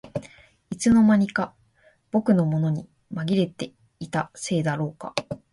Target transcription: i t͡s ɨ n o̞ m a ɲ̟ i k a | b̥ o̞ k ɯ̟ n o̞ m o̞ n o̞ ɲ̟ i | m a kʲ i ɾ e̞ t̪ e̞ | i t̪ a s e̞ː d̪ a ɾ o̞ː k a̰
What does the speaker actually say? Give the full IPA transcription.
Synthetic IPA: i t͡s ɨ n o̞ m a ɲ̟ i k a | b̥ o̞ k ɯ̟ n o̞ m o̞ n o̞ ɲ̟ i | m a ɡʲ i ɾ e̞ t̪ e̞ | i t̪ a s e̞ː d̪ a ɾ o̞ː k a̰